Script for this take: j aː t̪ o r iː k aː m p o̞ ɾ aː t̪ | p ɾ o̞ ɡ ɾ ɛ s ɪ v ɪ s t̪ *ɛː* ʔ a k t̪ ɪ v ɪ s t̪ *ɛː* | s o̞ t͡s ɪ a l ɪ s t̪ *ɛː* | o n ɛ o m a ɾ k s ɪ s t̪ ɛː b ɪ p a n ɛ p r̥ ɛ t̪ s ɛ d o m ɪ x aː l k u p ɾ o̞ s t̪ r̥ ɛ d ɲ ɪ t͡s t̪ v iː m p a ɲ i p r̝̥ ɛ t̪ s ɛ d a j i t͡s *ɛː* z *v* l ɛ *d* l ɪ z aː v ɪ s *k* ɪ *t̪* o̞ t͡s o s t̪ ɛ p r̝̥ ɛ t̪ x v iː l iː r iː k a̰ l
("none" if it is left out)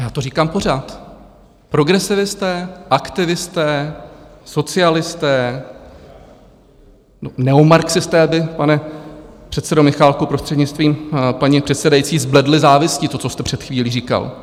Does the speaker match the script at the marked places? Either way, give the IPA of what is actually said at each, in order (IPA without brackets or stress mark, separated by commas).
ɛː, ɛː, ɛː, iː, b, d, c, t̪